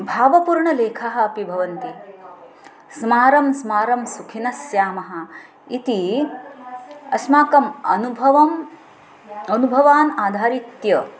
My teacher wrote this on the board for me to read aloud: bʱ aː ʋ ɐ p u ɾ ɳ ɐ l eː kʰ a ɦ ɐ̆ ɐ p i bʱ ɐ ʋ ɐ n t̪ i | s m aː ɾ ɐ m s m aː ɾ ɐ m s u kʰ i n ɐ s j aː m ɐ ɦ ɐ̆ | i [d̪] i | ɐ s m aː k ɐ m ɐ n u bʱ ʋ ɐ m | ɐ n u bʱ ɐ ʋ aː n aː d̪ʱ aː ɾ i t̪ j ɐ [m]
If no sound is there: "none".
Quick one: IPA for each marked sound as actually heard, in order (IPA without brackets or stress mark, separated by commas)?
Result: t̪, none